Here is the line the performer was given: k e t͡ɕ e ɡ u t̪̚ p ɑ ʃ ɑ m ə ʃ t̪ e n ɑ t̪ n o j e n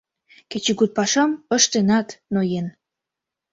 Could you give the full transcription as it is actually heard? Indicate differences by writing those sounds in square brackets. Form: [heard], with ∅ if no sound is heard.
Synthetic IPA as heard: k e t͡ɕ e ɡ u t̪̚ p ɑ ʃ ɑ m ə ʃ t̪ e n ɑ t̪ n o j e n